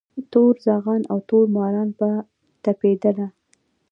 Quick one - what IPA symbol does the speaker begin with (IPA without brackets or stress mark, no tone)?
t̪